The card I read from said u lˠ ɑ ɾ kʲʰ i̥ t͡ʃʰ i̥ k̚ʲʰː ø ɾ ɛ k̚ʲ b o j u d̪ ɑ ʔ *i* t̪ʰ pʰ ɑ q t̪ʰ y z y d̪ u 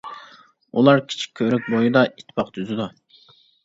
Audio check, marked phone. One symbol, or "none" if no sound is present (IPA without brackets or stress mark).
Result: i